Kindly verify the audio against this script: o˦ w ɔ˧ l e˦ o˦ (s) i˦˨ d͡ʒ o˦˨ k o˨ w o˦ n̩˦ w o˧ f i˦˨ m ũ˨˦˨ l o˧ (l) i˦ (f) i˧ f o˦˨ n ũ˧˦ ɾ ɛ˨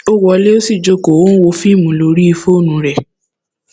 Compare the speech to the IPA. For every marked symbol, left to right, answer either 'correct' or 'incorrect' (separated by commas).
correct, incorrect, incorrect